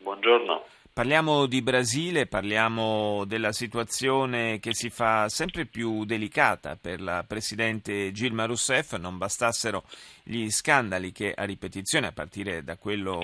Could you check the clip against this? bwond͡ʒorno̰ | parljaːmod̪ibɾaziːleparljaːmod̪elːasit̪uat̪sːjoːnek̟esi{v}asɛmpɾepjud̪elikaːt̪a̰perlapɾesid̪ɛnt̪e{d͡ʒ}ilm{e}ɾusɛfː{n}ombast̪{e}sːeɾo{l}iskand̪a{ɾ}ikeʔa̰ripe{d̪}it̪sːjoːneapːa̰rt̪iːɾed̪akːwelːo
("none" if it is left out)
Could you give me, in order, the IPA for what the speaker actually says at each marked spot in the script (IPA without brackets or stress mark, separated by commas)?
f, d͡ʒ, a, n, a, ʎ, l, t̪